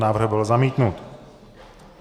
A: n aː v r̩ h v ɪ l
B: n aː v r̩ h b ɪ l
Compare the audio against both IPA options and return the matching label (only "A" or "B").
B